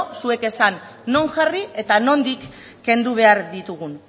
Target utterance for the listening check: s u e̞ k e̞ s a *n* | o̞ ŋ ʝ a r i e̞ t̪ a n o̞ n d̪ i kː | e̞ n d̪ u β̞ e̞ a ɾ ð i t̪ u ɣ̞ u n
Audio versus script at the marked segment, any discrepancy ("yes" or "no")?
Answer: yes